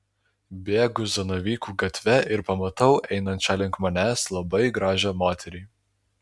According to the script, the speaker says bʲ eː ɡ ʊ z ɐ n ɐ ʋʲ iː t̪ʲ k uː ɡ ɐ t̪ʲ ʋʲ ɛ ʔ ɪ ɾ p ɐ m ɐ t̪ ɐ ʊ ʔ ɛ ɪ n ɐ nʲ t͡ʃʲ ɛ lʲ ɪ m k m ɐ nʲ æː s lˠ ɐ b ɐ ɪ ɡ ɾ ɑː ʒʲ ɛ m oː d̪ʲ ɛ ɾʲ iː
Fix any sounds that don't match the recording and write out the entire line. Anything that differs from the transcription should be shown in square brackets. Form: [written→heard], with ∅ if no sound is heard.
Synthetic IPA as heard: bʲ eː ɡ ʊ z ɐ n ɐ ʋʲ iː [t̪ʲ→∅] k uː ɡ ɐ t̪ʲ ʋʲ ɛ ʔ ɪ ɾ p ɐ m ɐ t̪ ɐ ʊ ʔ ɛ ɪ n ɐ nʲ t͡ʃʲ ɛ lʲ ɪ [m→ŋ] k m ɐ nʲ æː s lˠ ɐ b ɐ ɪ ɡ ɾ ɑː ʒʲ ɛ m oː [d̪ʲ→t̪ʲ] ɛ ɾʲ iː

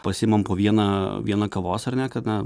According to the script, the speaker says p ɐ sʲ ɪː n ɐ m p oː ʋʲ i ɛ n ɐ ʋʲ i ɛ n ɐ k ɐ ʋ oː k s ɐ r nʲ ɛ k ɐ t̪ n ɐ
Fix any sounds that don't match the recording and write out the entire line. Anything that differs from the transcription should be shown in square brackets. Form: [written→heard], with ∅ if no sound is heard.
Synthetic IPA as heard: p ɐ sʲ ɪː [n→m] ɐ m p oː ʋʲ i ɛ n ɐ ʋʲ i ɛ n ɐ k ɐ ʋ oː [k→∅] s ɐ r nʲ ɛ k ɐ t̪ n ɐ

